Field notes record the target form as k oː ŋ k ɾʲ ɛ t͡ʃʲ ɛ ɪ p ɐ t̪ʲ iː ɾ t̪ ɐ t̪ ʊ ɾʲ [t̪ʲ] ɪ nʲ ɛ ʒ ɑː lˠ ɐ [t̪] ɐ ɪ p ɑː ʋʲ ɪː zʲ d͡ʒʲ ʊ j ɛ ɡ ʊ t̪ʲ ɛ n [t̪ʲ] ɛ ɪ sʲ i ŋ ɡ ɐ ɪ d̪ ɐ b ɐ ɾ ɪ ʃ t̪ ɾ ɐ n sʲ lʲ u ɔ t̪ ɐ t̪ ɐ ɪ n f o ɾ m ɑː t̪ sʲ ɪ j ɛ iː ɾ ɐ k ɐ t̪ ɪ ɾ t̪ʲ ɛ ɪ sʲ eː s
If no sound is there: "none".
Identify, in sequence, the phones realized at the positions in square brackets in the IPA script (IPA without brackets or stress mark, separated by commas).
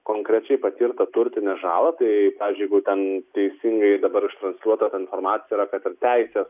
t̪ʲ, t̪, t̪ʲ